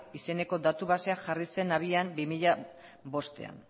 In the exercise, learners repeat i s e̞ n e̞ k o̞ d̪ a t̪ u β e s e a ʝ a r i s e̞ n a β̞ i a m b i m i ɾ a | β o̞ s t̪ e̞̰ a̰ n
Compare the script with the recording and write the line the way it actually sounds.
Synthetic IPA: i s e̞ n e̞ k o̞ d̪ a t̪ u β a s e a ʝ a r i s e̞ n a β̞ i a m b i m i ʎ a | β o̞ s t̪ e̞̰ a̰ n